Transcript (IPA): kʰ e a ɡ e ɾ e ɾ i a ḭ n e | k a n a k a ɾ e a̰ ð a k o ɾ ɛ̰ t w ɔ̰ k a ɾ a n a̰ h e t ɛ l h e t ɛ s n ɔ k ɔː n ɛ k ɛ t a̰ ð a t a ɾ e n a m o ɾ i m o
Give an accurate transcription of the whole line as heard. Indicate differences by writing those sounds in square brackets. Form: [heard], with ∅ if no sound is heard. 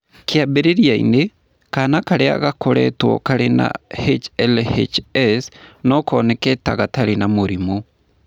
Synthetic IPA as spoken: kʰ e a [b] e ɾ e ɾ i a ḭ n e | k a n a k a ɾ e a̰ [ɣ] a k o ɾ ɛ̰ t w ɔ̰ k a ɾ [e] n a̰ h e [t͡ʃ] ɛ l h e [t͡ʃ] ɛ s n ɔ k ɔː n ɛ k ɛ t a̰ [ɣ] a t a ɾ e n a m o ɾ i m o